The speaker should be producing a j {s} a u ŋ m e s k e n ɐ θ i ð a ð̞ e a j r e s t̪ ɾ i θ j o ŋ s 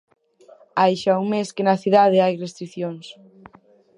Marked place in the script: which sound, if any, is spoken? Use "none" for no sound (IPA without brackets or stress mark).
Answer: ʃ